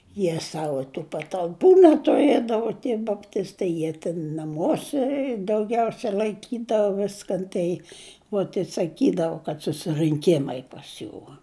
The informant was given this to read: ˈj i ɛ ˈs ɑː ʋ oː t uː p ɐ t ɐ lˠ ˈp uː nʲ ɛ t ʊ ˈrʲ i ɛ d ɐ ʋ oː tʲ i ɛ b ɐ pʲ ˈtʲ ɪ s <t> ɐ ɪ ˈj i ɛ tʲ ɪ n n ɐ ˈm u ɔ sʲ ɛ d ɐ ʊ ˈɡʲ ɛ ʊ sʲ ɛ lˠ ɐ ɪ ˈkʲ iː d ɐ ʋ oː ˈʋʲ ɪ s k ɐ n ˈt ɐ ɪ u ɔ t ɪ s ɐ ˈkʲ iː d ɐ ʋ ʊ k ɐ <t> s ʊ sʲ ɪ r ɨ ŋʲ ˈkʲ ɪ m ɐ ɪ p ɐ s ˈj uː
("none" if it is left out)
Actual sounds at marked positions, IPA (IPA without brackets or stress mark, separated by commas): t, t